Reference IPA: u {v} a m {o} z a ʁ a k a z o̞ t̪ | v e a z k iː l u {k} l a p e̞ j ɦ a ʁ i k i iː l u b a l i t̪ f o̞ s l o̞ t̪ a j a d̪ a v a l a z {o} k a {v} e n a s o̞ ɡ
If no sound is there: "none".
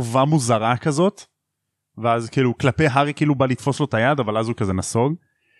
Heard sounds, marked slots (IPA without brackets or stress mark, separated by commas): v, u, k, u, z